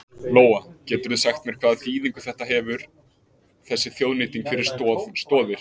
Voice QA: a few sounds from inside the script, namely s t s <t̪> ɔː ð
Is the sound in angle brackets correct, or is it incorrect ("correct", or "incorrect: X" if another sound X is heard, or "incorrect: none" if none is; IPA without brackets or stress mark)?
correct